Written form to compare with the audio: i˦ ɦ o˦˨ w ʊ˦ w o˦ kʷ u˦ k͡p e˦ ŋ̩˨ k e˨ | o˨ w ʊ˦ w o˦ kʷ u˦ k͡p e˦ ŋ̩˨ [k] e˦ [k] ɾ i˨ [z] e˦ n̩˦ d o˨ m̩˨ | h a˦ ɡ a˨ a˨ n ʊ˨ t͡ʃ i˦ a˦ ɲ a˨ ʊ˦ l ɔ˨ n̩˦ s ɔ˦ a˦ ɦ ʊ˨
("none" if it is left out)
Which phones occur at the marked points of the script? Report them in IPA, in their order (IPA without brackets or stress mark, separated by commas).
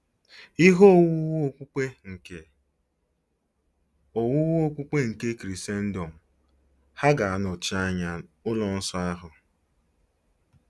k, k, s